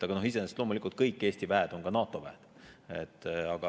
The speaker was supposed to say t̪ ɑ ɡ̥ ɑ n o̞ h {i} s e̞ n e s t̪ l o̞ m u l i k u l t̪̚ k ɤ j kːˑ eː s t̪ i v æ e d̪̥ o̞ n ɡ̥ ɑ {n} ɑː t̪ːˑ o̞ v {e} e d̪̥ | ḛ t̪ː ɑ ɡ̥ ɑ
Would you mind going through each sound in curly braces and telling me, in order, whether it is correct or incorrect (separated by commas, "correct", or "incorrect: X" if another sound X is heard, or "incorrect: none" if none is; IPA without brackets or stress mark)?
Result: correct, correct, incorrect: æ